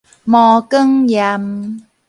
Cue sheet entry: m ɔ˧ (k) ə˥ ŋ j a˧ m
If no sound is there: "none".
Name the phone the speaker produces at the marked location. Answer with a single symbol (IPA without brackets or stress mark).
k